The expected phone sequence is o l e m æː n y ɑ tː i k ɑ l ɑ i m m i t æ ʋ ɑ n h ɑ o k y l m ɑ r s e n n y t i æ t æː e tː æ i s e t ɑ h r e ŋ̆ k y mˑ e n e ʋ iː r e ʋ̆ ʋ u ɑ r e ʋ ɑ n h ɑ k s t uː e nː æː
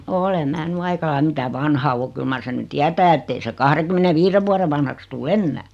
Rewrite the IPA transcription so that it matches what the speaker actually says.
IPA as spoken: o l e m æː n y ɑ i k ɑ l ɑ i m m i t æ ʋ ɑ n h ɑ o k y l m ɑ r s e n n y t i æ t æː e tː e i s e k ɑ h r e ŋ̆ k y mˑ e n e ʋ iː r e ʋ̆ ʋ u ɑ r e ʋ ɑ n h ɑ k s t uː e nː æː